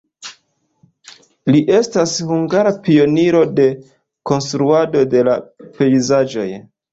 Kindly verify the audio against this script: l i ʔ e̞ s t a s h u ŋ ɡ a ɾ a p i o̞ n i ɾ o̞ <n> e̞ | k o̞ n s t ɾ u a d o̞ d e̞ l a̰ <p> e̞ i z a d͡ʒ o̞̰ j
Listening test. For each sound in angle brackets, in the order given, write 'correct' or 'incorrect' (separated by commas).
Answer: incorrect, correct